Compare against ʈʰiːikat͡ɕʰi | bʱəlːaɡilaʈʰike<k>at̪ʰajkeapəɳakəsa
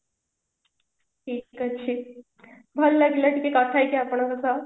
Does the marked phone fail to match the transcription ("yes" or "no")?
no